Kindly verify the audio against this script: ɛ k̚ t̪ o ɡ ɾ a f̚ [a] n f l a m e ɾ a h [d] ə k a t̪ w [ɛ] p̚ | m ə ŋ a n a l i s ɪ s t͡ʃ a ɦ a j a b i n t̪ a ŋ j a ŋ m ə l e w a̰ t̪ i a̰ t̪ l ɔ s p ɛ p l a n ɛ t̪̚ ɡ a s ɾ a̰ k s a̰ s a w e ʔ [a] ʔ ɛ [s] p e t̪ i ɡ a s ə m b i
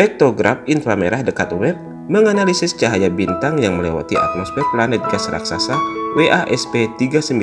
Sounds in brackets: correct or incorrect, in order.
incorrect: i, correct, correct, correct, correct

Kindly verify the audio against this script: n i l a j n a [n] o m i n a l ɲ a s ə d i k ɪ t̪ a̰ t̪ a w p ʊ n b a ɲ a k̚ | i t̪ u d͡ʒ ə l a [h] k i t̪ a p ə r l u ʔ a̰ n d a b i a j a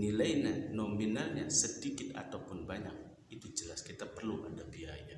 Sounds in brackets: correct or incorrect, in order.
correct, incorrect: s

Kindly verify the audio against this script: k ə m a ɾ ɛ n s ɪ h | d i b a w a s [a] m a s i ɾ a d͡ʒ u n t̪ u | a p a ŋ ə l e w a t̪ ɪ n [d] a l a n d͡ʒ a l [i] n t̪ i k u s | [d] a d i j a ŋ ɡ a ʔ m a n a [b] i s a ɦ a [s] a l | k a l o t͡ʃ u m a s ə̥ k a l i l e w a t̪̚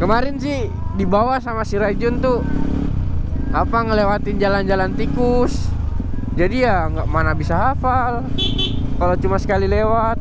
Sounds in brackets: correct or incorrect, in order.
correct, incorrect: d͡ʒ, incorrect: a, incorrect: d͡ʒ, correct, incorrect: f

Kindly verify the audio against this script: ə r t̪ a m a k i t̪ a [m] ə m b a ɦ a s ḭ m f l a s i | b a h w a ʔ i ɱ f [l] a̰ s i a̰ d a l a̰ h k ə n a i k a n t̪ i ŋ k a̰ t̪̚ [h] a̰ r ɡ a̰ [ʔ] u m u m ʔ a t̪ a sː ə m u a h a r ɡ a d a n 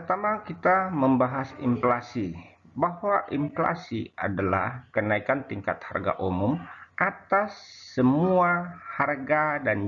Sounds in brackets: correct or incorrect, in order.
correct, correct, correct, correct

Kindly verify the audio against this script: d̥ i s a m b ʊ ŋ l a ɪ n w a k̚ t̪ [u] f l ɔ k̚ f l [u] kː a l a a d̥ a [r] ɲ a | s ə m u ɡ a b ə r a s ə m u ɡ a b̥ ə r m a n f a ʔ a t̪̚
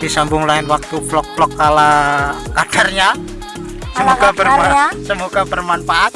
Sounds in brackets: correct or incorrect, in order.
correct, incorrect: ɔ, correct

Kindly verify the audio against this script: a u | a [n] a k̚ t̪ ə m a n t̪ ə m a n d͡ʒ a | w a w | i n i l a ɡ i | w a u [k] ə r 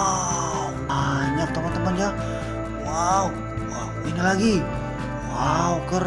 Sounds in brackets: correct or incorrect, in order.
incorrect: ɲ, correct

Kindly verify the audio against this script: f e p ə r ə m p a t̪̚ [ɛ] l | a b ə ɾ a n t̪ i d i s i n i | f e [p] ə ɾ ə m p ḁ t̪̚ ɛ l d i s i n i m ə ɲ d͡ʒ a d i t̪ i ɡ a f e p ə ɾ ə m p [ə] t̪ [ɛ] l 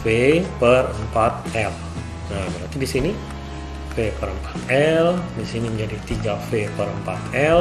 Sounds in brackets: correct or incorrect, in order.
correct, correct, incorrect: a, correct

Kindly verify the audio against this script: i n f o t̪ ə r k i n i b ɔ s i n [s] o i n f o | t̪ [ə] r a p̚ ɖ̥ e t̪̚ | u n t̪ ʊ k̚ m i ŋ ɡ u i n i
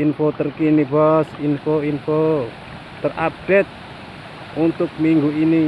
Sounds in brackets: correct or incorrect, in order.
incorrect: f, correct

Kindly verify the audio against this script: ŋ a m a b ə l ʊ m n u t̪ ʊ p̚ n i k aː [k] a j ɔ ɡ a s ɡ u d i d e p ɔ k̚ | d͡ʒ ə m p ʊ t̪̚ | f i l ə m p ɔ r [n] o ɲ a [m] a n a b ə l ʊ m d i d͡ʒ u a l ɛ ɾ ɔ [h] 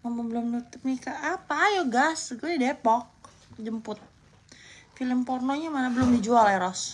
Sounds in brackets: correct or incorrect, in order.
incorrect: p, correct, correct, incorrect: s

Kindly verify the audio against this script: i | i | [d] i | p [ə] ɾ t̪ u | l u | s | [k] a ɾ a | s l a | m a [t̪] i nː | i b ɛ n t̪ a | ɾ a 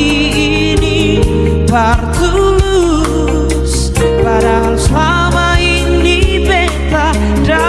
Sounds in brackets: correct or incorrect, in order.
incorrect: n, incorrect: a, incorrect: p, incorrect: none

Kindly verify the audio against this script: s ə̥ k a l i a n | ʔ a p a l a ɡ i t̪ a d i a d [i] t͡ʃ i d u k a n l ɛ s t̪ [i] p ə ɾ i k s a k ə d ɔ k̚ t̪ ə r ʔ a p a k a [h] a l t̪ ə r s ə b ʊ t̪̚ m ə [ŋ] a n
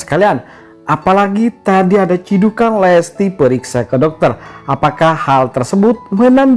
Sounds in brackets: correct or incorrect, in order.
incorrect: a, correct, correct, incorrect: n

